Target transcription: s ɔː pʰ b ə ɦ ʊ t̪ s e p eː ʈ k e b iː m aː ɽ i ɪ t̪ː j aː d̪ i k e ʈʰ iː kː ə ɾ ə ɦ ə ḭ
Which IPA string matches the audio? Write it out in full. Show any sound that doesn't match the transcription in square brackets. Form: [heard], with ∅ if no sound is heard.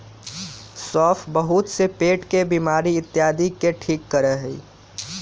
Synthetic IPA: s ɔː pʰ b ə ɦ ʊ t̪ s e p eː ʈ k e b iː m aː [ɾ] i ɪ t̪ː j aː d̪ i k e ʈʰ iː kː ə ɾ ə ɦ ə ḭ